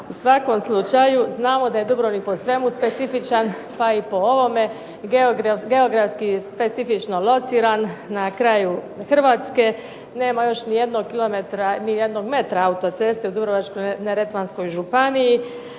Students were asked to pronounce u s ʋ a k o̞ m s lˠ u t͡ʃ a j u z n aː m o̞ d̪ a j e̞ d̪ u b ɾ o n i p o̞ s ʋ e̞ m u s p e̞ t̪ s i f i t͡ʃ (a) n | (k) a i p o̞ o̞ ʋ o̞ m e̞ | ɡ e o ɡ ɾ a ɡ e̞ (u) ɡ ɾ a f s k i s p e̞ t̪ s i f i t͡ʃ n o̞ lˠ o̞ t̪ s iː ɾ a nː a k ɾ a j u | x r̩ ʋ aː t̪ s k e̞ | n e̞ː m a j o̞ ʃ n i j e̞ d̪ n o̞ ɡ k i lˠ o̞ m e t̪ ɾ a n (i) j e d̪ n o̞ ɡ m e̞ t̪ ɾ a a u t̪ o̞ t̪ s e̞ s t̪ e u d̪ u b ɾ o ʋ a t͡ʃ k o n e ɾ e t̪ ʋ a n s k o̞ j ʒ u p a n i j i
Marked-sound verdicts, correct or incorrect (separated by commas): correct, incorrect, incorrect, correct